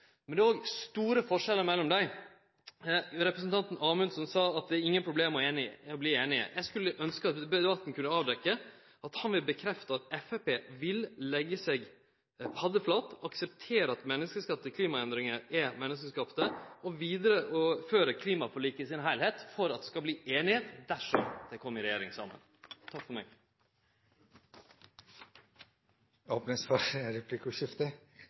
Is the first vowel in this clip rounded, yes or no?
no